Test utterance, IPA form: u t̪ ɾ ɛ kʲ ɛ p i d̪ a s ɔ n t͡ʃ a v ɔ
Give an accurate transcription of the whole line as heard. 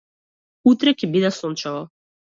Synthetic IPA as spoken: u t̪ ɾ ɛ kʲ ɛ b i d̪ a s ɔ n t͡ʃ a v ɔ